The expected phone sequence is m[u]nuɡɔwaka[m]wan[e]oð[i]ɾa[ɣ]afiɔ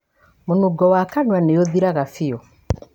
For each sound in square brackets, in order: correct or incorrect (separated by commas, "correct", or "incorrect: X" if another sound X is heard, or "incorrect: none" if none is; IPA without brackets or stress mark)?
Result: incorrect: o, incorrect: n, correct, correct, correct